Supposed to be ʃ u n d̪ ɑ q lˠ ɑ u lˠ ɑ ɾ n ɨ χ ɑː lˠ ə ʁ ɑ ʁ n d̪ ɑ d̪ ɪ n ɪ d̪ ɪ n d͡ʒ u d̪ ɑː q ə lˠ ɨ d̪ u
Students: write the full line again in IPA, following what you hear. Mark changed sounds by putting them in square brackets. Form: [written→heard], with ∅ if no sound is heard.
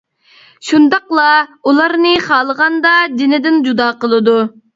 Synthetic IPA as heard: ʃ u n d̪ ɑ q lˠ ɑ u lˠ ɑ ɾ n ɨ χ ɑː lˠ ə ʁ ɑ [ʁ→∅] n d̪ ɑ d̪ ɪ n ɪ d̪ ɪ n d͡ʒ u d̪ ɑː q ə lˠ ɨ d̪ u